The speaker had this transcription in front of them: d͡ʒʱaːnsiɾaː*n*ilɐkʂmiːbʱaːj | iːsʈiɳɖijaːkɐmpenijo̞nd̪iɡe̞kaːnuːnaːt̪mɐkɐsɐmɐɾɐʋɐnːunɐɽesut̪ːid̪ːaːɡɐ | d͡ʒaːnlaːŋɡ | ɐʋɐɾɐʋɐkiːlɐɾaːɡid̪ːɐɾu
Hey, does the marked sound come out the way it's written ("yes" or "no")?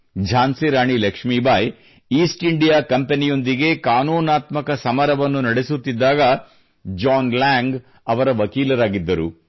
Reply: no